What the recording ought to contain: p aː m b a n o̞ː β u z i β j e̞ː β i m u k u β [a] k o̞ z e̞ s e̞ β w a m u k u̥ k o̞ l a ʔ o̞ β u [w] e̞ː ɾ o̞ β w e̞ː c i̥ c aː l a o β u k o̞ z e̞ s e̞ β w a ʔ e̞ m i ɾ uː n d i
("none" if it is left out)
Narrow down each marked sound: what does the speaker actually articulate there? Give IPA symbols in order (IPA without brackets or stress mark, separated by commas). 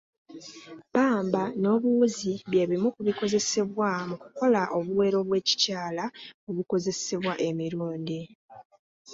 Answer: i, w